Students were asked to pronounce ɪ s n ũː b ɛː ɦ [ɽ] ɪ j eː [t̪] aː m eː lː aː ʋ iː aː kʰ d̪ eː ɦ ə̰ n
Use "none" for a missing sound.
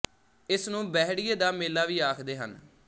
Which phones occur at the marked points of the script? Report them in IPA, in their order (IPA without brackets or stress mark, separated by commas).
ɽ, d̪